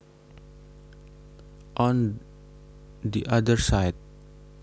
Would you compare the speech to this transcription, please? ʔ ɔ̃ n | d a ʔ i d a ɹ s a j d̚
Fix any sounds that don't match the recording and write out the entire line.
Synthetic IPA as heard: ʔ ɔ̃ n | d i ʔ a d ə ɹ s a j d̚